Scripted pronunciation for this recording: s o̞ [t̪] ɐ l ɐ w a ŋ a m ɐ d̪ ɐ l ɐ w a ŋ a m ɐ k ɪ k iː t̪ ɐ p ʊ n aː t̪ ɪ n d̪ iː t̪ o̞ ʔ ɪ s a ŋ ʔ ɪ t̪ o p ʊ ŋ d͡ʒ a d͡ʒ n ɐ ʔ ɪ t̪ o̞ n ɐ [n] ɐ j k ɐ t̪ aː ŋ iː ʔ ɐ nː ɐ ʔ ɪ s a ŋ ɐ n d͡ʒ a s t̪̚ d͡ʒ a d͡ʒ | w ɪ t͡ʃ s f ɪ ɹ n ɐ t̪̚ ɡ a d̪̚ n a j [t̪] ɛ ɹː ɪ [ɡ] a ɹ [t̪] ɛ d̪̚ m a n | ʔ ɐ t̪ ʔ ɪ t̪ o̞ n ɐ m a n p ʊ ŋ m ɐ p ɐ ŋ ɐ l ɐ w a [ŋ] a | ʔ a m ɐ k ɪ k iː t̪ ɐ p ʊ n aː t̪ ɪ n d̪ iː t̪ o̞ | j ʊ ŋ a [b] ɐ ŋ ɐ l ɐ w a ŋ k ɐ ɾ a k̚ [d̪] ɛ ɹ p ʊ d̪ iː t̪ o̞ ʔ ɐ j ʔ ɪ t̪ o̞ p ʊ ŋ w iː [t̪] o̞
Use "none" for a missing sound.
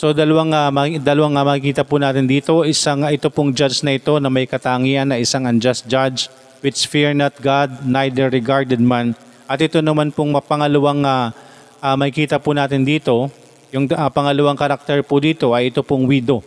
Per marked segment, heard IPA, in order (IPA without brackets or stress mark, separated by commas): d̪, m, d̪, ɡ, d̪, ŋ, p, t̪, d̪